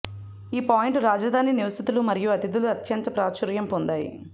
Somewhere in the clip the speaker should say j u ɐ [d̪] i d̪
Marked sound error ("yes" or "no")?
yes